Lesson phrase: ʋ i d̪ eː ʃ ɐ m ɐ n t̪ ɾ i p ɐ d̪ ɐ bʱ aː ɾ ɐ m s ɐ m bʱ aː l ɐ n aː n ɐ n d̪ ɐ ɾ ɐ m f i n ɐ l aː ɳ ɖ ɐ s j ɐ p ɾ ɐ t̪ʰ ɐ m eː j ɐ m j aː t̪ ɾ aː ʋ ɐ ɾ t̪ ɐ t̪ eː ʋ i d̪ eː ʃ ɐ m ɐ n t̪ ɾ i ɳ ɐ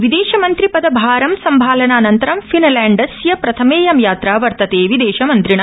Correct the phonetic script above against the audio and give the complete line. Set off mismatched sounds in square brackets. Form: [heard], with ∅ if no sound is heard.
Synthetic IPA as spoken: ʋ i d̪ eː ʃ ɐ m ɐ n t̪ ɾ i p ɐ d̪ ɐ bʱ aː ɾ ɐ m s ɐ m bʱ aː l ɐ n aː n ɐ n [t̪] ɐ ɾ ɐ m f i n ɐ l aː ɳ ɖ ɐ s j ɐ p ɾ ɐ t̪ʰ ɐ m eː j ɐ m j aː t̪ ɾ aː ʋ ɐ ɾ t̪ ɐ t̪ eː ʋ i d̪ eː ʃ ɐ m ɐ n t̪ ɾ i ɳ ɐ